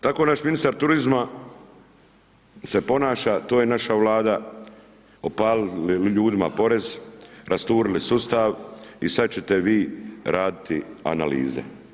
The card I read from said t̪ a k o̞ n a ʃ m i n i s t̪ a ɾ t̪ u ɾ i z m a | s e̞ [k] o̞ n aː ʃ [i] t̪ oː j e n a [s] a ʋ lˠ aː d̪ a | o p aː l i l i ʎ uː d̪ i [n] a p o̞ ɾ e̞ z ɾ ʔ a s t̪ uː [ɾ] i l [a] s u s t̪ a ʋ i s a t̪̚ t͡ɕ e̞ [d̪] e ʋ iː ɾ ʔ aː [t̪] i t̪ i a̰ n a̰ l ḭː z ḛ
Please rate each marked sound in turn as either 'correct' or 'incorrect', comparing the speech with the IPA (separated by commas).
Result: incorrect, incorrect, incorrect, incorrect, correct, incorrect, incorrect, incorrect